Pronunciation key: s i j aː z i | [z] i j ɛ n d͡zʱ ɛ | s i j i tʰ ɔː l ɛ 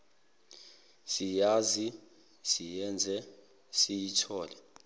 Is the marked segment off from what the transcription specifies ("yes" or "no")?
yes